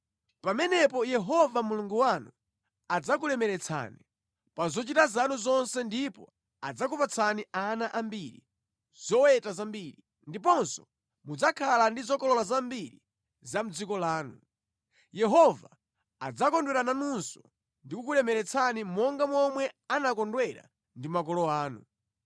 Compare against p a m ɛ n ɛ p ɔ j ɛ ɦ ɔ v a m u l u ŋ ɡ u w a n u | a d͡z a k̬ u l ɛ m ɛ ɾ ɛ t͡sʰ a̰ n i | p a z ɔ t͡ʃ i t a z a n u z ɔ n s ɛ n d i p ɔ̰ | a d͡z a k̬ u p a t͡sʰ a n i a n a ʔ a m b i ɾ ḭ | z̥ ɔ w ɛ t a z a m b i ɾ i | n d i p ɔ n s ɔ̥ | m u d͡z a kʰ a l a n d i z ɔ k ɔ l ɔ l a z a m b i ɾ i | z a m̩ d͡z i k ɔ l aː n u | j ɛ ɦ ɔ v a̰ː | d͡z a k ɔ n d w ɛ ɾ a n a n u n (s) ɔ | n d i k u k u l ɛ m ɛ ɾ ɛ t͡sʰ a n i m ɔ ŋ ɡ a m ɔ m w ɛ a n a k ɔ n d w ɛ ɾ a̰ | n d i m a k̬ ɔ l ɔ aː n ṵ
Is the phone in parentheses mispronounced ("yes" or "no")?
no